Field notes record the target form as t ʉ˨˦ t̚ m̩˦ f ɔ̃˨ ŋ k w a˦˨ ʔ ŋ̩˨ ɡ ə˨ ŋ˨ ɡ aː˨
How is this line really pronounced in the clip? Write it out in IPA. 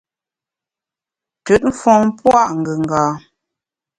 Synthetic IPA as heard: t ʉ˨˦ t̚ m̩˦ f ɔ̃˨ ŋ p w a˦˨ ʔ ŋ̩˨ ɡ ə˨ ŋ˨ ɡ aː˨